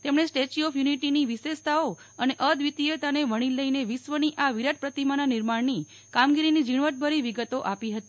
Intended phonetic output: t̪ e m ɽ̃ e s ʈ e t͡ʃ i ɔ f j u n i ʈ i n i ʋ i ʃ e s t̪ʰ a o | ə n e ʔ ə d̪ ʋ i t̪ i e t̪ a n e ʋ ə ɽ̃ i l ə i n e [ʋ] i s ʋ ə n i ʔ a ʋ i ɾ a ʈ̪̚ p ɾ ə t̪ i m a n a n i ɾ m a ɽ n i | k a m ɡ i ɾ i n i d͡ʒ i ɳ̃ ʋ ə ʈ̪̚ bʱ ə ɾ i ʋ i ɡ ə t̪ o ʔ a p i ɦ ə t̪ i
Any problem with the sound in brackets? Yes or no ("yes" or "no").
no